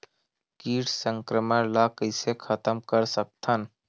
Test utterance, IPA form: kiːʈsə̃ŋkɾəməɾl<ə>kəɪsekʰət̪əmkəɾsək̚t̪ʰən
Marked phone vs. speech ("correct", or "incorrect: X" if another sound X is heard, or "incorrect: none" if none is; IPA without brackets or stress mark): incorrect: a